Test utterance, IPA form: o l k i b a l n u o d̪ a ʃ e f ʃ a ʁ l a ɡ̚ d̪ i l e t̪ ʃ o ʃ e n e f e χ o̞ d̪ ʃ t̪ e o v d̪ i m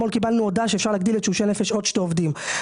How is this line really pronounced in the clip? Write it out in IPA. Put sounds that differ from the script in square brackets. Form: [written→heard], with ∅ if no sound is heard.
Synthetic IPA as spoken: o l k i b a l n u o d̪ a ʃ e f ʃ a ʁ l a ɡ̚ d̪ i l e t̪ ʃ [o→u] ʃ e n e f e [χ→ʃ] o̞ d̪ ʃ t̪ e o v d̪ i m